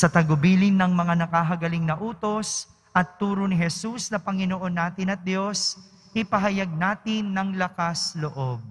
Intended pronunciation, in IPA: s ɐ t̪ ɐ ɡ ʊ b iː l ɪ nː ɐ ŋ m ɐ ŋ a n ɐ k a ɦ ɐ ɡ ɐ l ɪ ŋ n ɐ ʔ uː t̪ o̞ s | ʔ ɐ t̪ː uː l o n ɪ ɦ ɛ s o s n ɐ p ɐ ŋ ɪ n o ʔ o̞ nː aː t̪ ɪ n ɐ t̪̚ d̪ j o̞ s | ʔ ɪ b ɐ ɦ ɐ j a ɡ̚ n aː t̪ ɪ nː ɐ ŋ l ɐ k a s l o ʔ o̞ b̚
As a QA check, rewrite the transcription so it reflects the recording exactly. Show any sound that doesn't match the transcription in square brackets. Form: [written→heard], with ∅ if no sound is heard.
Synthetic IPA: s ɐ t̪ ɐ ɡ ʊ b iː l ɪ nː ɐ ŋ m ɐ ŋ a n ɐ k a ɦ ɐ ɡ ɐ l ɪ ŋ n ɐ ʔ uː t̪ o̞ s | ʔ ɐ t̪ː uː [l→ɾ] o n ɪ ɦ ɛ s [o→u] s n ɐ p ɐ ŋ ɪ n o ʔ o̞ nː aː t̪ ɪ n ɐ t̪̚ d̪ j o̞ s | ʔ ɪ [b→p] ɐ ɦ ɐ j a ɡ̚ n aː t̪ ɪ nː ɐ ŋ l ɐ k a s l o ʔ o̞ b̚